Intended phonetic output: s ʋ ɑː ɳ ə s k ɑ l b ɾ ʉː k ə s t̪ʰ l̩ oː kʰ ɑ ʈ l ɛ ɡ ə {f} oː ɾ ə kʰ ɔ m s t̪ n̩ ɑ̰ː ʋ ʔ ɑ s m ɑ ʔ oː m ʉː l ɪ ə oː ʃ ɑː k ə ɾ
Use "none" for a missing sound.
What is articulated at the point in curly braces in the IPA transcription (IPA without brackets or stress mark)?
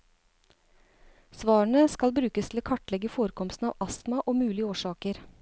f